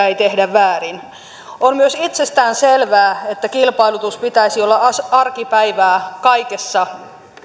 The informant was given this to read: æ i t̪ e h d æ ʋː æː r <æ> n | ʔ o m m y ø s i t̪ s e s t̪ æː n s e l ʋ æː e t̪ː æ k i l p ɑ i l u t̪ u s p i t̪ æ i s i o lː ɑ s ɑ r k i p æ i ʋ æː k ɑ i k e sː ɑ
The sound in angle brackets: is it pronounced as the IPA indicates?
no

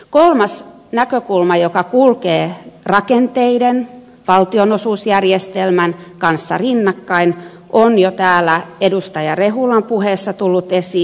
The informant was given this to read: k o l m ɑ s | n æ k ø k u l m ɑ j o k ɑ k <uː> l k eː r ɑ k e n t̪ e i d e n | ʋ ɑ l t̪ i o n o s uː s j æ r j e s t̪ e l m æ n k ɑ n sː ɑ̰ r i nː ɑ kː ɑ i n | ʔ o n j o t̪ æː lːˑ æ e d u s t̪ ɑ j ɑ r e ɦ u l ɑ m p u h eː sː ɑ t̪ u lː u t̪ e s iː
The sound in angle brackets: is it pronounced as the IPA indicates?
no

